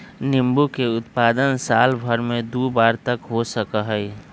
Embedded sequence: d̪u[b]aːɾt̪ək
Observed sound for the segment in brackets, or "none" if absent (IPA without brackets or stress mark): b